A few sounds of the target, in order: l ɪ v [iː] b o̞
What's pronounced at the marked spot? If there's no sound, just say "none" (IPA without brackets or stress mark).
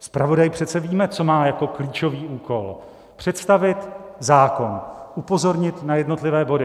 ɛː